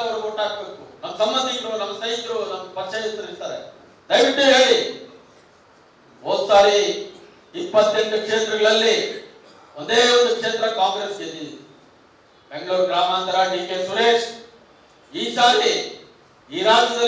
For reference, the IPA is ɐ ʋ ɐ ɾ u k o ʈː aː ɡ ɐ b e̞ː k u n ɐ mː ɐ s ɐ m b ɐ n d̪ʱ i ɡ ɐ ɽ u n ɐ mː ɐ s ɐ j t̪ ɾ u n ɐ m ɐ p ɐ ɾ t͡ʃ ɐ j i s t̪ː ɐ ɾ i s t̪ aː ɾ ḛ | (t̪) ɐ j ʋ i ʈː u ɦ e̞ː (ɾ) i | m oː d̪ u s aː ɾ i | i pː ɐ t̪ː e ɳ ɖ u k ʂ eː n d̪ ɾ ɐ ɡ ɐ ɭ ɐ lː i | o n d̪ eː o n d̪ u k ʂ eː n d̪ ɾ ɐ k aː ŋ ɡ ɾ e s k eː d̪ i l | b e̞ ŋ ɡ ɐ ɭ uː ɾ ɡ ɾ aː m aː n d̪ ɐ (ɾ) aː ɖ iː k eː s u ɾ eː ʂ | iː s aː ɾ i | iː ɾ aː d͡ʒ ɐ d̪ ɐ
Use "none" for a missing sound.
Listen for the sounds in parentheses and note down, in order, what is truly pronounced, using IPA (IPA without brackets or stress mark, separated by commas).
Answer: d̪, ɭ, ɾ